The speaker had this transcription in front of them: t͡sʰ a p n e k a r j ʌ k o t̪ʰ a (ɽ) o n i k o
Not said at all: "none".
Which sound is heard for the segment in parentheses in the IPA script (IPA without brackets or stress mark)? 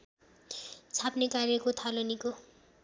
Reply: l